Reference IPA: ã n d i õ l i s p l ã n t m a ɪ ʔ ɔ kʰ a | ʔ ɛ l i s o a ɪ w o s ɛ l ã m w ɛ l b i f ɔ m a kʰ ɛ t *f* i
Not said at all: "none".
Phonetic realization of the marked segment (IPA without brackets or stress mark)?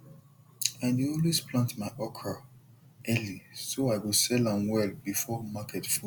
f